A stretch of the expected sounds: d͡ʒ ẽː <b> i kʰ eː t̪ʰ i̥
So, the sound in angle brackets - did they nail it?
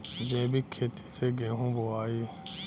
yes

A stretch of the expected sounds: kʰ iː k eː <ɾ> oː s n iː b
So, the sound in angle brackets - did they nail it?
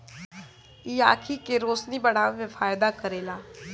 yes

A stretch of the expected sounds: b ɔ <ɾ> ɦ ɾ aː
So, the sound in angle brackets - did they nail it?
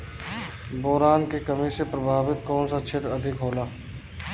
no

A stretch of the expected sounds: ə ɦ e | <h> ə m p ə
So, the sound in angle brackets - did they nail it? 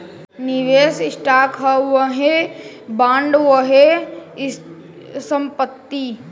no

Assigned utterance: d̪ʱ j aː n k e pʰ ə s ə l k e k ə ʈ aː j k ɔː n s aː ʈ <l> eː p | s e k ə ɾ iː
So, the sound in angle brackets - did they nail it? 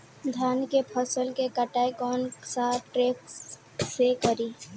no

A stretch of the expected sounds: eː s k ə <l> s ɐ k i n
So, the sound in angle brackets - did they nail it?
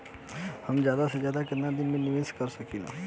no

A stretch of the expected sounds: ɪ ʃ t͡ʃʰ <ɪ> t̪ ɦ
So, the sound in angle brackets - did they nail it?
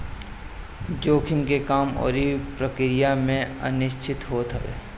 yes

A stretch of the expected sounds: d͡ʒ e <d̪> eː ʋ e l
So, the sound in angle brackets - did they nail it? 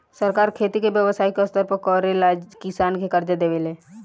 yes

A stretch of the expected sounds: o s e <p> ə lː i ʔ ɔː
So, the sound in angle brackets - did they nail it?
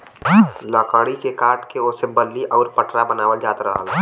no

